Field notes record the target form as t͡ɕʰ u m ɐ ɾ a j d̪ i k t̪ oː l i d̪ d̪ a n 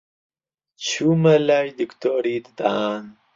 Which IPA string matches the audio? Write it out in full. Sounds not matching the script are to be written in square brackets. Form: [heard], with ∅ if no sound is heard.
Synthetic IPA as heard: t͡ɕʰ u m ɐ [l] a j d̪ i k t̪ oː [ɾ] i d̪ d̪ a n